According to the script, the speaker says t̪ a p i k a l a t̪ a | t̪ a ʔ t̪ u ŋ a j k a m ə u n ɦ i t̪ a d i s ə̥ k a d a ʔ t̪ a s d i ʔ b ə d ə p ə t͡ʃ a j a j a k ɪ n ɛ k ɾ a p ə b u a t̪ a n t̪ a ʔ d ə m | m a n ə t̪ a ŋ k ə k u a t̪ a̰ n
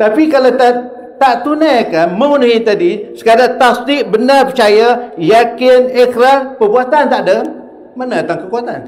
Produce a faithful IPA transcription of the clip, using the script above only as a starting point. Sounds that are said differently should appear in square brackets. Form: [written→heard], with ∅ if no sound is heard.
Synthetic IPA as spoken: t̪ a p i k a l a t̪ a | t̪ a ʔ t̪ u [ŋ→n] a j k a m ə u n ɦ i t̪ a d i s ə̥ k a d a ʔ t̪ a s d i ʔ b ə [d→n] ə p ə t͡ʃ a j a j a k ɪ n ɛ k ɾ a p ə b u a t̪ a n t̪ a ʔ d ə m | m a n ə t̪ a ŋ k ə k u a t̪ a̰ n